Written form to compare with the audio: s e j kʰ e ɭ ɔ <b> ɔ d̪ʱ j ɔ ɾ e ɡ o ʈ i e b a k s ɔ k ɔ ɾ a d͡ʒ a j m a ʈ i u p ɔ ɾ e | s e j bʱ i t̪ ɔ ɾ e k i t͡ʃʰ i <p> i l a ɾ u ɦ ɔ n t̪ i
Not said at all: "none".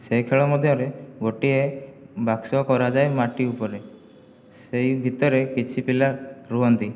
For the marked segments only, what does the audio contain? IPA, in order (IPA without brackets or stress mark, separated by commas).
m, p